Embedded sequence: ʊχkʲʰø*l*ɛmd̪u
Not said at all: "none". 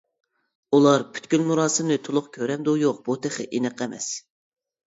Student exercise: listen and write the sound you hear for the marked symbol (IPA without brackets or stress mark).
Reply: ɾ